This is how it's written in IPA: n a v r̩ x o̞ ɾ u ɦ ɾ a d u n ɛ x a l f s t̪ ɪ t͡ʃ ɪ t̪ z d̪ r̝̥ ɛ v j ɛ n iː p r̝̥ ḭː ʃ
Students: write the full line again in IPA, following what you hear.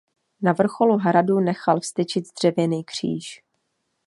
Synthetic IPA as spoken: n a v r̩ x o̞ l u ɦ ɾ a d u n ɛ x a l f s t̪ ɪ t͡ʃ ɪ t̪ z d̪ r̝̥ ɛ v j ɛ n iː k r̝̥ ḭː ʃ